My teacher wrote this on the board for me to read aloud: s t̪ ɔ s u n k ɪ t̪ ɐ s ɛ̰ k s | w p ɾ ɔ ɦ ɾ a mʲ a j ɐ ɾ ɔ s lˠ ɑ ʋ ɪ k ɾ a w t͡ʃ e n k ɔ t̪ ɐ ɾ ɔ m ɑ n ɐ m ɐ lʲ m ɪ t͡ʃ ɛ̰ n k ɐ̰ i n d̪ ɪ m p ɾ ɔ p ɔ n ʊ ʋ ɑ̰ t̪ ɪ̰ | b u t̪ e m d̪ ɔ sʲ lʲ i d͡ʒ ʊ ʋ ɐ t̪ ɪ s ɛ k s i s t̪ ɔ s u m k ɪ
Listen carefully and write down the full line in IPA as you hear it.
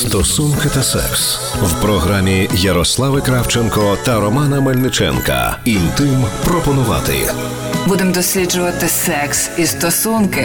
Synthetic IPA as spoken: s t̪ ɔ s u n k ɪ t̪ ɐ s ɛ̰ k s | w p ɾ ɔ ɦ ɾ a mʲ i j ɐ ɾ ɔ s lˠ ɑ ʋ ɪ k ɾ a w t͡ʃ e n k ɔ t̪ ɐ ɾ ɔ m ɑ n ɐ m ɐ lʲ n ɪ t͡ʃ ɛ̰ n k ɐ̰ i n t̪ ɪ m p ɾ ɔ p ɔ n ʊ ʋ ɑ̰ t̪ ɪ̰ | b u d̪ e m d̪ ɔ sʲ lʲ i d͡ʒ ʊ ʋ ɐ t̪ ɪ s ɛ k s i s t̪ ɔ s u n k ɪ